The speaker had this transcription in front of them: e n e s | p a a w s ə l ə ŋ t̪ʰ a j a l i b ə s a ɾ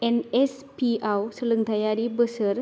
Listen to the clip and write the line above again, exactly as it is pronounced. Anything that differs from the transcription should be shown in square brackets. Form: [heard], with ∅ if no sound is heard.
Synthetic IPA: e n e s | p [i] a w s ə l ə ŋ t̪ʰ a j a [ɾ] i b ə s [ə] ɾ